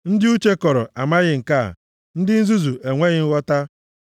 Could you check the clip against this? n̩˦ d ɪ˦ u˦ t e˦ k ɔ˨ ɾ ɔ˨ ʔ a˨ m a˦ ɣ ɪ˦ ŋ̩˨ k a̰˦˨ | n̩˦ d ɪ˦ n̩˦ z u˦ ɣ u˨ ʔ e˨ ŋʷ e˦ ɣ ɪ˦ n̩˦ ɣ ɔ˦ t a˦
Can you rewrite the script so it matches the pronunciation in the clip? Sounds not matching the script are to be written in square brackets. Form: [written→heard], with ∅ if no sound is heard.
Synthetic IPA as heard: n̩˦ d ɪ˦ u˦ [t→t͡ʃ] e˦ k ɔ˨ ɾ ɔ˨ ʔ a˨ m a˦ ɣ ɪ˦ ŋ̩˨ k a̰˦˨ | n̩˦ d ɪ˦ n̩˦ z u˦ [ɣ→z] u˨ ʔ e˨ ŋʷ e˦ ɣ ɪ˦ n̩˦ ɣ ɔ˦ t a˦